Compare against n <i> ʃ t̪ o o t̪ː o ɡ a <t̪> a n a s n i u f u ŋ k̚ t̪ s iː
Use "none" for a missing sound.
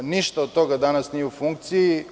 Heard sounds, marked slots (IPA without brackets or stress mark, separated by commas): i, d̪